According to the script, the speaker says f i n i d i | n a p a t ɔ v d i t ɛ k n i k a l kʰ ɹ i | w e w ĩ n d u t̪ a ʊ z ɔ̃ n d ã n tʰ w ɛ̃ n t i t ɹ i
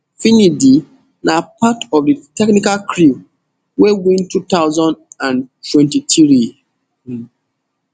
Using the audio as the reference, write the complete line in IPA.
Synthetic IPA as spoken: f i n i d i | n a p a t ɔ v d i t ɛ k n i k a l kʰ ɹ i | w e w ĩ n t u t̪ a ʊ z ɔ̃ n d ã n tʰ w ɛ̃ n t i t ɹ i